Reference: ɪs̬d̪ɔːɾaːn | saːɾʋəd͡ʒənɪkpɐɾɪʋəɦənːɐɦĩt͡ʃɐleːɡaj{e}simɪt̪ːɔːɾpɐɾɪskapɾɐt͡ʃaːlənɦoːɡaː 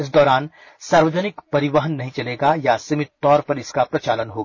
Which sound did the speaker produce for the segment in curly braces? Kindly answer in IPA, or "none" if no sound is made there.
a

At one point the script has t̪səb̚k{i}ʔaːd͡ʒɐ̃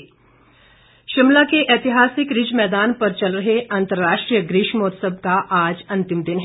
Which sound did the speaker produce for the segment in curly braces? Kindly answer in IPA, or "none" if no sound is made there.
a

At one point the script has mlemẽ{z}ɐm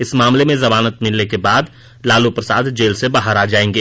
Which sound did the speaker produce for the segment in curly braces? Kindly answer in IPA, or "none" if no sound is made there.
z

